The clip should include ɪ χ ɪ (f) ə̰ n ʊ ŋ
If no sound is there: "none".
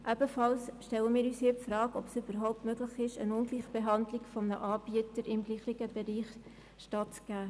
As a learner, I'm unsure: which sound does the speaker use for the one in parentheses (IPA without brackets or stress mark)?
ʃ